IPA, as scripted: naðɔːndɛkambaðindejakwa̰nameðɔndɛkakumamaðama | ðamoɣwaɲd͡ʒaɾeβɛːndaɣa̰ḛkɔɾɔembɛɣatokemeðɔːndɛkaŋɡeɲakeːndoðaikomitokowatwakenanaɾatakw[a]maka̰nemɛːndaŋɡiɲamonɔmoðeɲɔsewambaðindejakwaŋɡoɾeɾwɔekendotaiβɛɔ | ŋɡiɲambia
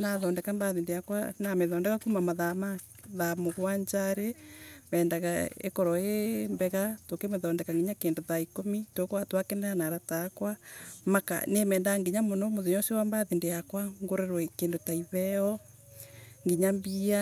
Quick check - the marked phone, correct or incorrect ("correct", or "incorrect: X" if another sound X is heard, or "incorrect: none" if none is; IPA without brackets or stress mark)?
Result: correct